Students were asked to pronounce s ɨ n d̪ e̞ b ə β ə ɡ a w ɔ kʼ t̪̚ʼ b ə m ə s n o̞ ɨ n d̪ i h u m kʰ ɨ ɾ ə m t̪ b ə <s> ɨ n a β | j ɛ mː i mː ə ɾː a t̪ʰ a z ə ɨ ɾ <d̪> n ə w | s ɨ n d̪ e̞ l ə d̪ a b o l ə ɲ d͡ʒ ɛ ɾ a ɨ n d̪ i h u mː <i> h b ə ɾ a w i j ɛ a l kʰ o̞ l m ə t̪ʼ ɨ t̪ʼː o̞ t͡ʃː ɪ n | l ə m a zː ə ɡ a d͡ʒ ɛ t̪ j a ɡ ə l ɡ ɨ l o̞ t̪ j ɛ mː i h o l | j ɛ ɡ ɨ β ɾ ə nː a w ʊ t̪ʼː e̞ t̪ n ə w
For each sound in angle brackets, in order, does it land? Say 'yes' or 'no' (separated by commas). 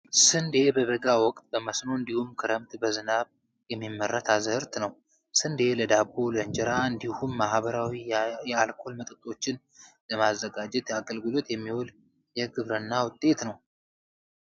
no, no, no